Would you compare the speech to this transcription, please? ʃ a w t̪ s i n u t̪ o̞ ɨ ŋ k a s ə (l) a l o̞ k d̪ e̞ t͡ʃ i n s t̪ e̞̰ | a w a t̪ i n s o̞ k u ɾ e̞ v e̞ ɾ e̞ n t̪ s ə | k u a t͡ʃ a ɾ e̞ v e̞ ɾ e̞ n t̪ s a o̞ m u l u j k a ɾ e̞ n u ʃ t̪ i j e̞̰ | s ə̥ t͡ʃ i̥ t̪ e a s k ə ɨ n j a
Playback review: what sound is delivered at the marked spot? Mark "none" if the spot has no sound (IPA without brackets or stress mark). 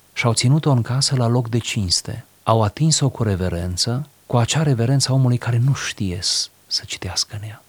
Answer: l